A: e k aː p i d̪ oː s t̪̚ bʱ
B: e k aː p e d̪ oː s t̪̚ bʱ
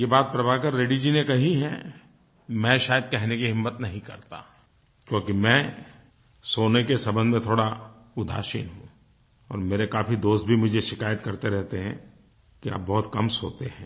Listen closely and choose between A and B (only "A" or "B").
A